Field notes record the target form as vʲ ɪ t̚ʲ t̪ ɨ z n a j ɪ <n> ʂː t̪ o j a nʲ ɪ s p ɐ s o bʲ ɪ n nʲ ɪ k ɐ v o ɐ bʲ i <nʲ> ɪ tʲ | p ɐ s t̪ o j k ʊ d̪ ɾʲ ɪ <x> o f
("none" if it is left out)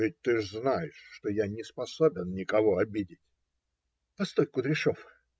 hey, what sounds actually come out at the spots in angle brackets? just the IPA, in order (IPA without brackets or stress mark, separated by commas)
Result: none, dʲ, ʂ